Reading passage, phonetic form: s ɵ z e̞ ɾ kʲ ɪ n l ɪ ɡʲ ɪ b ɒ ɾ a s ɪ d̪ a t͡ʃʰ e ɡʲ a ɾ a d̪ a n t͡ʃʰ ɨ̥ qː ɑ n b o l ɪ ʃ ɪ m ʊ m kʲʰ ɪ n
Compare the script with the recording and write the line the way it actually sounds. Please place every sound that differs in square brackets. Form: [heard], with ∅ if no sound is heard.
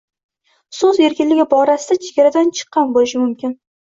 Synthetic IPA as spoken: s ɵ z e̞ ɾ kʲ ɪ n l ɪ ɡʲ ɪ b ɒ ɾ a s ɪ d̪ a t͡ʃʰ e ɡʲ a ɾ a d̪ a n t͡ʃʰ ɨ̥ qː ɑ n b o l ɪ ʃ ɪ m ʊ m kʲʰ ɪ n